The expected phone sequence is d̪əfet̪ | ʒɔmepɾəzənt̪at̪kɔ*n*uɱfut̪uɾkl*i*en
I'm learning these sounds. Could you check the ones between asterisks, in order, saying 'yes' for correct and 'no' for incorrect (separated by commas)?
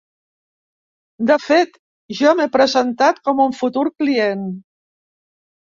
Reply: no, yes